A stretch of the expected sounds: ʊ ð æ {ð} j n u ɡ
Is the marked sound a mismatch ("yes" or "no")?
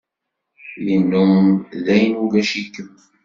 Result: yes